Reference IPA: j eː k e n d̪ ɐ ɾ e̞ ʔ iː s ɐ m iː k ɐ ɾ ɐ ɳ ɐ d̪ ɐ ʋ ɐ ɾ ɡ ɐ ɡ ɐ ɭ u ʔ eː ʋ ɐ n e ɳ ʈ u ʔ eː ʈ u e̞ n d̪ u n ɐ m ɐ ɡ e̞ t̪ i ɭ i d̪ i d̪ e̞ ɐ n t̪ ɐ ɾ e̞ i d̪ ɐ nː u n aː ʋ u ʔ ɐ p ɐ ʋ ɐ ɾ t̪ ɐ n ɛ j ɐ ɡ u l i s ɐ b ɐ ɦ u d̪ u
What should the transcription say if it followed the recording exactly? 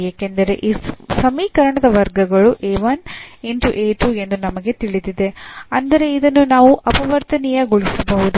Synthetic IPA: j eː k e n d̪ ɐ ɾ e̞ ʔ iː s ɐ m iː k ɐ ɾ ɐ ɳ ɐ d̪ ɐ ʋ ɐ ɾ ɡ ɐ ɡ ɐ ɭ u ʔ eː ʋ ɐ n e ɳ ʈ u ʔ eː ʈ u e̞ n d̪ u n ɐ m ɐ ɡ e̞ t̪ i ɭ i d̪ i d̪ e̞ ɐ n d̪ ɐ ɾ e̞ i d̪ ɐ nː u n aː ʋ u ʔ ɐ p ɐ ʋ ɐ ɾ t̪ ɐ n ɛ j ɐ ɡ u ɭ i s ɐ b ɐ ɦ u d̪ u